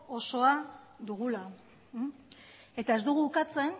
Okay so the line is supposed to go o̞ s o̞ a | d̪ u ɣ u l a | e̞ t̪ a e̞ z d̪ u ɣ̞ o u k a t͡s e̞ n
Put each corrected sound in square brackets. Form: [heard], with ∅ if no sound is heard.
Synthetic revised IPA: o̞ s o̞ a | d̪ u ɣ u l a | e̞ t̪ a e̞ z d̪ u ɣ̞ [u] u k a t͡s e̞ n